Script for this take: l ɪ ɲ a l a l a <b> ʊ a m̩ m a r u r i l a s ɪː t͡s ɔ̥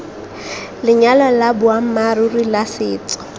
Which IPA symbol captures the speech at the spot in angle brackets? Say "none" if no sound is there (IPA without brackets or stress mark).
b